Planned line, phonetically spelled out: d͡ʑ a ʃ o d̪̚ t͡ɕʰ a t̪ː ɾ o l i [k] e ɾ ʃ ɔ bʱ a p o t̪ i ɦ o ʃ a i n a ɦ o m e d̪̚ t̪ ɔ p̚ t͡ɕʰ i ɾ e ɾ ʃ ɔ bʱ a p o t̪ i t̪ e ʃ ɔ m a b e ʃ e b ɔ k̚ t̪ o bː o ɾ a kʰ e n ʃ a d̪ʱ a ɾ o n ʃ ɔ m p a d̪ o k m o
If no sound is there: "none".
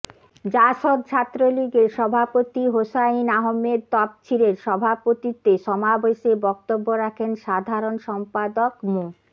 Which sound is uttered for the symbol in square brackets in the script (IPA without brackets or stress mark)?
ɡ